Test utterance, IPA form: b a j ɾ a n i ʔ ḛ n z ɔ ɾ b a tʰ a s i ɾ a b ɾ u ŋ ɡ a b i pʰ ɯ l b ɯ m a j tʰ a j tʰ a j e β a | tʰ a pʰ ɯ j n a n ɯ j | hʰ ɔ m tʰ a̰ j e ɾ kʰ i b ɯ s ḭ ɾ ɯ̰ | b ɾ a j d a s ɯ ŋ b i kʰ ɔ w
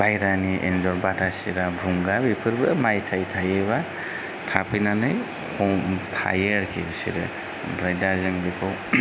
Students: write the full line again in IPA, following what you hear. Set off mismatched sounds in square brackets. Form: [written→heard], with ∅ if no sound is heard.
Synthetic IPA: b a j ɾ a n i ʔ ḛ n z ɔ ɾ b a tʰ a s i ɾ a b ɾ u ŋ ɡ a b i pʰ ɯ [l→ɾ] b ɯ m a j tʰ a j tʰ a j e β a | tʰ a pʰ ɯ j n a n ɯ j | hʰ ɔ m tʰ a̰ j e ɾ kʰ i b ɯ s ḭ ɾ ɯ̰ | b ɾ a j d a [s→z] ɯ ŋ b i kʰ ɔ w